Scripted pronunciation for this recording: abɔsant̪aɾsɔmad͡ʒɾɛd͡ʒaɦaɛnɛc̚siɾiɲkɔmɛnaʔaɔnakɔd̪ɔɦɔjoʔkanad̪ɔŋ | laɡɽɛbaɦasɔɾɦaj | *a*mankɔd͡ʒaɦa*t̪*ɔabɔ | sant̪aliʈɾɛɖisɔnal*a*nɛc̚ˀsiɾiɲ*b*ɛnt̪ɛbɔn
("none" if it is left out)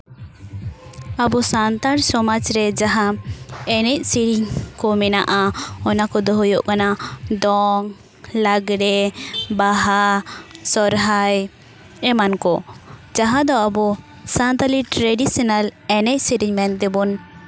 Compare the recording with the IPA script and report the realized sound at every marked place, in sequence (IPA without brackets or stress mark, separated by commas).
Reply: ɛ, d̪, ɛ, m